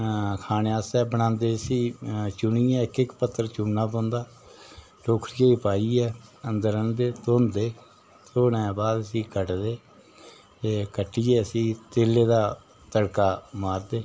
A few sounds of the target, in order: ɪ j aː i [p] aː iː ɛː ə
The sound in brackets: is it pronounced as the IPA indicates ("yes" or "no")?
yes